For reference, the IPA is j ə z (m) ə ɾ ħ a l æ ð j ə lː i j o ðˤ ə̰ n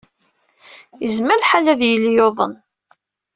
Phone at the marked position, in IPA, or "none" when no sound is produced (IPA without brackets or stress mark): m